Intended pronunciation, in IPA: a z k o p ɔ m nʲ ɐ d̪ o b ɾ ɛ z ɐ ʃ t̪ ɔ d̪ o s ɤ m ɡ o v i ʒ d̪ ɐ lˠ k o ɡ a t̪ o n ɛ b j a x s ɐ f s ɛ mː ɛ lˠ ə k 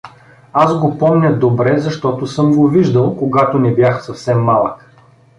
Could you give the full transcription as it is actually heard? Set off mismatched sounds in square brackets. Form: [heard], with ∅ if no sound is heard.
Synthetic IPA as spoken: a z [ɡ] o p ɔ m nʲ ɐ d̪ o b ɾ ɛ z ɐ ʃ t̪ ɔ [t̪] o s ɤ m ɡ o v i ʒ d̪ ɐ lˠ k o ɡ a t̪ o n ɛ b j a x s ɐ f s ɛ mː [a] lˠ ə k